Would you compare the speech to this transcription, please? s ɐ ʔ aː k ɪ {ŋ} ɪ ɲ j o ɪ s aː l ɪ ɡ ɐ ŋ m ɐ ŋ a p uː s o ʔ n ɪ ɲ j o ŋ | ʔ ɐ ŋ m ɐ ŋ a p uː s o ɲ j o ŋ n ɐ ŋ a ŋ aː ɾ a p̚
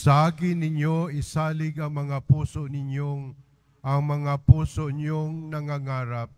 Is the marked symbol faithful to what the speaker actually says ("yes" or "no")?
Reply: no